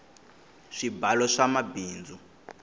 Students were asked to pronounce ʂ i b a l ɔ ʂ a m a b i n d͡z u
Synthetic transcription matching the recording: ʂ i b a l ɔ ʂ a m a b iː n d͡z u